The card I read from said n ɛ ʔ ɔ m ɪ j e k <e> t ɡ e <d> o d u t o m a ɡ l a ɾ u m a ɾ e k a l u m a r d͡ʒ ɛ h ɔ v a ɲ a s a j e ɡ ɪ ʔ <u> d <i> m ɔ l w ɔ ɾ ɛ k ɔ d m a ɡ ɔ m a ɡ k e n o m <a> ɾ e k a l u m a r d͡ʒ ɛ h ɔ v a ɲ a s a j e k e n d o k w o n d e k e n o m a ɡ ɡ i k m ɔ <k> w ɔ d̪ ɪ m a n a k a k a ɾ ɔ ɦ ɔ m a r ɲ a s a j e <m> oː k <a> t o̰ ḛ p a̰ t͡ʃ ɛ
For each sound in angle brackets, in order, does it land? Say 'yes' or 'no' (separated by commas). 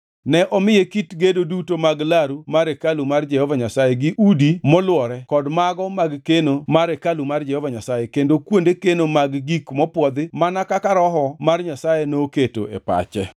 no, yes, yes, yes, yes, no, no, no